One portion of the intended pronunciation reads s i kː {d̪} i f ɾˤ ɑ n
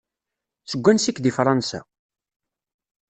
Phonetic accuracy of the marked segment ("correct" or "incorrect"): correct